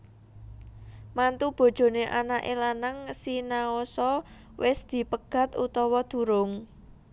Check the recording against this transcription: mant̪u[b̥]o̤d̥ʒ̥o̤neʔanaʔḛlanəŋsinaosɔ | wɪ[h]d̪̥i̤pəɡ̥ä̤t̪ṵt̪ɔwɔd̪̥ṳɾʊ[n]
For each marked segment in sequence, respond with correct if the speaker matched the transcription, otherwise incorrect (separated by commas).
correct, incorrect, incorrect